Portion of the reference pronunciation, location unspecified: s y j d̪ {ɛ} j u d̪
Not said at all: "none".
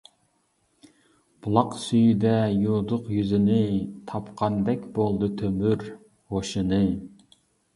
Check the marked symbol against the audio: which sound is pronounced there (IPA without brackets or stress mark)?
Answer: ɛ